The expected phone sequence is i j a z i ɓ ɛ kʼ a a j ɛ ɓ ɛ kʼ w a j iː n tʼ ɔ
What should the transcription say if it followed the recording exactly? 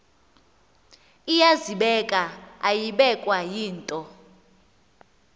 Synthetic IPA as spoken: i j a z i ɓ ɛ kʼ a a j i ɓ ɛ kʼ w a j iː n tʼ ɔ